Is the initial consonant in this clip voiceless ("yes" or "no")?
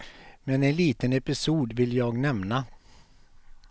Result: no